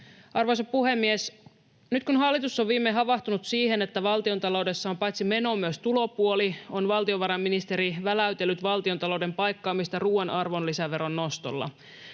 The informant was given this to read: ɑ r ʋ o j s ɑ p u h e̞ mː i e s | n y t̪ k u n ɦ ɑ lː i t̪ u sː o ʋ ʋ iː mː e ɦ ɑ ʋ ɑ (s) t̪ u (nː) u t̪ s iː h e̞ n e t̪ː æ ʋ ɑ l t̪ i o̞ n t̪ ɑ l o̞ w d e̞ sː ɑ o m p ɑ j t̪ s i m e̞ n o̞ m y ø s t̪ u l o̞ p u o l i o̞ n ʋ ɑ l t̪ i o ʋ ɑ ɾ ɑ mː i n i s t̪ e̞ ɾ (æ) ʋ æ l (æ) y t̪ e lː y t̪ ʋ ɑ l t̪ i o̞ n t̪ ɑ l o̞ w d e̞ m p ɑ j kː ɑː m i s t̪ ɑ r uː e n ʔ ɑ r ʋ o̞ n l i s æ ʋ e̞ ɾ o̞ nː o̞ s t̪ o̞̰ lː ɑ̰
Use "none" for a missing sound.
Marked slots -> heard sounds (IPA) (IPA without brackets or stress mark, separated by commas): h, n, i, æ